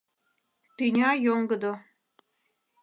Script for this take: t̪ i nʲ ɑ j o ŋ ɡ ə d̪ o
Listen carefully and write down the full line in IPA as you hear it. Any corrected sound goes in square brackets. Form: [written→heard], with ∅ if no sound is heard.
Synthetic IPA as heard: t̪ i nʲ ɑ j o ŋ ɡ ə d̪ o